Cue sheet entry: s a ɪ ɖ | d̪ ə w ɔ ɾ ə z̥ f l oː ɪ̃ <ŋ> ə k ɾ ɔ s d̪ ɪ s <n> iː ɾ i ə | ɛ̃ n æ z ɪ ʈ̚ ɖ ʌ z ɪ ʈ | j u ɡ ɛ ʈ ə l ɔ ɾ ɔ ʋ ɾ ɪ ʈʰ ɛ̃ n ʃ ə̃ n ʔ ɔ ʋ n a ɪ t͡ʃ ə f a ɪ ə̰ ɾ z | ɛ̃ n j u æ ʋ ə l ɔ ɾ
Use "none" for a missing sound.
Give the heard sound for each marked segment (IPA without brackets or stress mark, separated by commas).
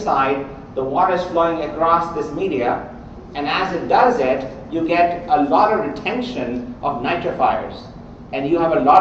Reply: ŋ, m